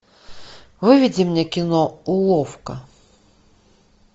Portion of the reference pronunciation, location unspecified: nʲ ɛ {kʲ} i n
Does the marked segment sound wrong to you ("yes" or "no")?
no